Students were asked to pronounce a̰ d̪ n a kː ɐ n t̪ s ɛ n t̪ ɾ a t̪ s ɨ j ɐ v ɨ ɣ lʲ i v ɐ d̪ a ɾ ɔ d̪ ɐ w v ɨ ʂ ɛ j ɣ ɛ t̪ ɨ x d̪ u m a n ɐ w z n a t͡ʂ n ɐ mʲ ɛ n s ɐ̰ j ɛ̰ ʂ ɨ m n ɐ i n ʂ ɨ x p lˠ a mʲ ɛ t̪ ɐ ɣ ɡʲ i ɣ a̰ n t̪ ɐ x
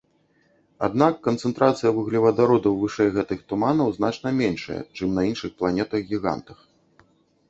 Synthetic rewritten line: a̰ d̪ n a kː ɐ n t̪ s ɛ n t̪ ɾ a t̪ s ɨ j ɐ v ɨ ɣ lʲ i v ɐ d̪ a ɾ ɔ d̪ ɐ w v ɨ ʂ ɛ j ɣ ɛ t̪ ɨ x t̪ u m a n ɐ w z n a t͡ʂ n ɐ mʲ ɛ n ʂ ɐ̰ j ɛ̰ t͡ʂ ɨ m n ɐ i n ʂ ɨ x p lˠ a nʲ ɛ t̪ ɐ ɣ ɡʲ i ɣ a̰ n t̪ ɐ x